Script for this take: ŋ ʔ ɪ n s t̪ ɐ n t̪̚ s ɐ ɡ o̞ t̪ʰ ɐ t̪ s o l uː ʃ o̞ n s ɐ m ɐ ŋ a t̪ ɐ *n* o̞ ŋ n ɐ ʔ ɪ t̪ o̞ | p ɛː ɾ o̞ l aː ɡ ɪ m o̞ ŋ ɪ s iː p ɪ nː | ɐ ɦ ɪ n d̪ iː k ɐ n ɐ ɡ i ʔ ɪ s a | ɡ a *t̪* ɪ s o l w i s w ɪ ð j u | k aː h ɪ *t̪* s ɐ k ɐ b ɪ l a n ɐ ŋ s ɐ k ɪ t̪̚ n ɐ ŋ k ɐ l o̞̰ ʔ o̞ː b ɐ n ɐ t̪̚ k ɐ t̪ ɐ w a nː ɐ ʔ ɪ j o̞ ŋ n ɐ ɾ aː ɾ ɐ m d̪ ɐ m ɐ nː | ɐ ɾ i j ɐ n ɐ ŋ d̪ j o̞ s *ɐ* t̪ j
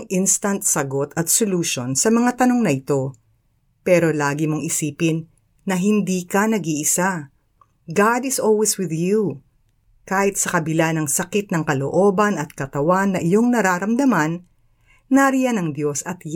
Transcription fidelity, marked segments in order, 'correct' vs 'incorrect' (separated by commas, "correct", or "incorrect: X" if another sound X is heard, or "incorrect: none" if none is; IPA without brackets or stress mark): correct, incorrect: d̪, correct, correct